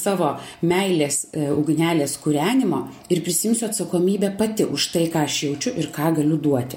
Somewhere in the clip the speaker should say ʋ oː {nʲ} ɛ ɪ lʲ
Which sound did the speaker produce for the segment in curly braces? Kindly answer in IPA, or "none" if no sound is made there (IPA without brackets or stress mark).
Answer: mʲ